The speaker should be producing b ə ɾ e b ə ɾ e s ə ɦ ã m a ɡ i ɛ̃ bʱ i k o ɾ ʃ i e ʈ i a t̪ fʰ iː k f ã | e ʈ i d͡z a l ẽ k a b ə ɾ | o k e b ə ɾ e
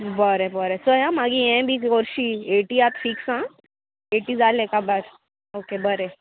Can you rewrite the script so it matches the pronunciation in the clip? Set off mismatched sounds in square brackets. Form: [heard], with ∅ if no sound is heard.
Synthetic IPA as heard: b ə ɾ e b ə ɾ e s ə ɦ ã m a ɡ i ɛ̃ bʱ i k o ɾ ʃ i e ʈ i a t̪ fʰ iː k [s] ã | e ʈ i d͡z a l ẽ k a b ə ɾ | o k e b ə ɾ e